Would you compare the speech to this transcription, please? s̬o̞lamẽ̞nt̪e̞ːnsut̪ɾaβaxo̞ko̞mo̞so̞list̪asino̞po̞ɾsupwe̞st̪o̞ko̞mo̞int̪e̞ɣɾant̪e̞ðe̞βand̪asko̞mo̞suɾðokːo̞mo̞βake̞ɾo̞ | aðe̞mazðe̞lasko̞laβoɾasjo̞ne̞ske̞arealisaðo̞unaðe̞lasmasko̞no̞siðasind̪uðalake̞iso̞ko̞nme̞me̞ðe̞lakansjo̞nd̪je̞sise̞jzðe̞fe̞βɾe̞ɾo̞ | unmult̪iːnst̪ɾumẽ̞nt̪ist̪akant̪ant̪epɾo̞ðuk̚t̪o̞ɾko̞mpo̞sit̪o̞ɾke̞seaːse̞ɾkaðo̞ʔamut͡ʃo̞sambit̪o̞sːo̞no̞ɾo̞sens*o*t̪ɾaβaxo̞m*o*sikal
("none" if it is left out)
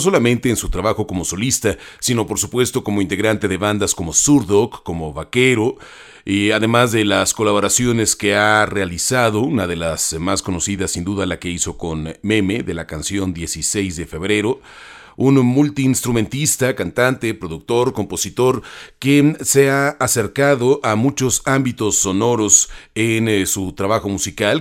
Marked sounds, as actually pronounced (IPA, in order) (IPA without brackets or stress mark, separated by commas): u, u